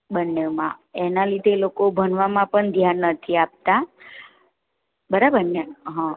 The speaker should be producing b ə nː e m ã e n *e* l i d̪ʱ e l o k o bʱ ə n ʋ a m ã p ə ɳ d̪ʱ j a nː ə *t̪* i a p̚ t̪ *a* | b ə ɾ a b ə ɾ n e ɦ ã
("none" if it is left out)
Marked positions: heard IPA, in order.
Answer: a, t̪ʰ, a

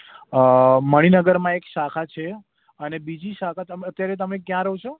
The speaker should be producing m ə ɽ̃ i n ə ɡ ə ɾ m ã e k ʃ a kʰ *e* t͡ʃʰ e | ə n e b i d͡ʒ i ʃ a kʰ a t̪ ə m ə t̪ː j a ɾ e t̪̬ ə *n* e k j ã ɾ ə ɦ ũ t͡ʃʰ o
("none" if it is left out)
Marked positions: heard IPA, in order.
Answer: a, m

